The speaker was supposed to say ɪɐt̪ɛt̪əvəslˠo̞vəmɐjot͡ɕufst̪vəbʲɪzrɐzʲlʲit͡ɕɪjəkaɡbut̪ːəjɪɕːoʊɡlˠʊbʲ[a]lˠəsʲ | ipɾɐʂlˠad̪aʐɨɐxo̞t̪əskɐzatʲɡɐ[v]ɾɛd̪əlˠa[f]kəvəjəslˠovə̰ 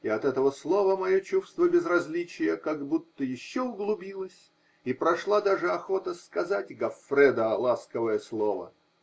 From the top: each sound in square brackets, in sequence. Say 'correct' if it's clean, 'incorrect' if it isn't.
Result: incorrect, incorrect, incorrect

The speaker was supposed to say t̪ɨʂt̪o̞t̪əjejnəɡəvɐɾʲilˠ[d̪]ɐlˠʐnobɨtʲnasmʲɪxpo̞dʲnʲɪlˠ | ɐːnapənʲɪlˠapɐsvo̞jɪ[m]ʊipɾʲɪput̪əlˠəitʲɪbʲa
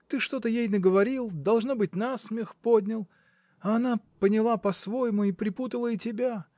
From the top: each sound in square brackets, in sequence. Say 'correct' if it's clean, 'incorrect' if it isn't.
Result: correct, correct

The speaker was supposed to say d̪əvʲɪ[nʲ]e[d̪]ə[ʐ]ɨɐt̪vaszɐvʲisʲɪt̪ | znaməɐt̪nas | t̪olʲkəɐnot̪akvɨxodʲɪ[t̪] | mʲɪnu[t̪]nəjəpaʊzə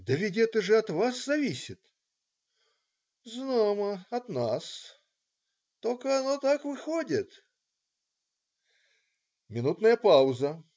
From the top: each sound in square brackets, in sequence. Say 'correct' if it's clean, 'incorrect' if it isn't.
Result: incorrect, incorrect, correct, correct, correct

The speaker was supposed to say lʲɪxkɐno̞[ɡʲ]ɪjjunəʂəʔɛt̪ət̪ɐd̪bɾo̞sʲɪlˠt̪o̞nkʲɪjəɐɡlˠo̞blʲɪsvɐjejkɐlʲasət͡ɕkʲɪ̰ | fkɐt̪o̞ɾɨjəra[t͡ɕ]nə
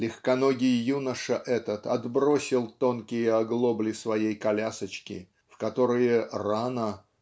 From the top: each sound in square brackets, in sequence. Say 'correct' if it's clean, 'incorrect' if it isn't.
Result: correct, incorrect

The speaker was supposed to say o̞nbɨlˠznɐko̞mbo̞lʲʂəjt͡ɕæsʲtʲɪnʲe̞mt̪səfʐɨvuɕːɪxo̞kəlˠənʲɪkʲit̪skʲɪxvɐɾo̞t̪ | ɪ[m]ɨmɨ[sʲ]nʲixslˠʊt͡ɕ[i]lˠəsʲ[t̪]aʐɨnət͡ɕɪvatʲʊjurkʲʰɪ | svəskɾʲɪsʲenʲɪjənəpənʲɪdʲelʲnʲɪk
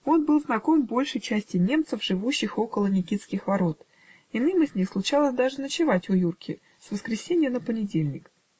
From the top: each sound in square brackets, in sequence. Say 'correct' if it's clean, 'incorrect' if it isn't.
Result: incorrect, incorrect, incorrect, incorrect

